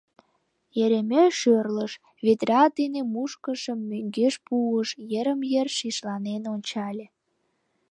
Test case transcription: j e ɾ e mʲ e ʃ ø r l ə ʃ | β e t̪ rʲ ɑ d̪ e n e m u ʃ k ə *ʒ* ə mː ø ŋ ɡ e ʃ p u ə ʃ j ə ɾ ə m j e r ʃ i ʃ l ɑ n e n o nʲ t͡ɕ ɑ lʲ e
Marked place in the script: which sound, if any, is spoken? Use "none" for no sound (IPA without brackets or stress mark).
ʃ